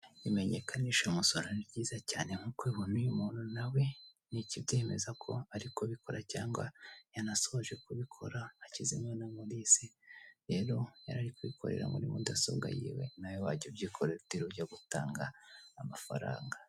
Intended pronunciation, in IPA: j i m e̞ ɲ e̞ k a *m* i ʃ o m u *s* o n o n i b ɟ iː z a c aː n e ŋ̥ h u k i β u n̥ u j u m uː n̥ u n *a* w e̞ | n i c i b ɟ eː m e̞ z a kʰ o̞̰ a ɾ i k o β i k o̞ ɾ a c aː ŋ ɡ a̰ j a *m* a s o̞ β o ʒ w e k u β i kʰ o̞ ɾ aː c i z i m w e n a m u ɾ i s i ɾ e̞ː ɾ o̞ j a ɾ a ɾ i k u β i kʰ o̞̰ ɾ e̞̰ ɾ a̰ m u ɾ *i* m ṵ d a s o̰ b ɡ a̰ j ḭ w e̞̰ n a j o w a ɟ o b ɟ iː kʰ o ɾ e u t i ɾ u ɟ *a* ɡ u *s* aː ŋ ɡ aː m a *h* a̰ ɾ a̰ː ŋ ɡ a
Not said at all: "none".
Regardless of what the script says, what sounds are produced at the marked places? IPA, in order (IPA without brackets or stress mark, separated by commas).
n, s, a, n, i, a, t, f